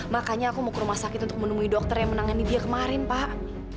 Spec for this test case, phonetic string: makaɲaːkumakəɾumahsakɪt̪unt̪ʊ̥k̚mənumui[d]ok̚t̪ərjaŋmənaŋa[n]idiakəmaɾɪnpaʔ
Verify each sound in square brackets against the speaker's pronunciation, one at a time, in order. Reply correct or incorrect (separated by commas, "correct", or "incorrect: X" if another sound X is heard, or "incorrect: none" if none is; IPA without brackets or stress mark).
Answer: correct, correct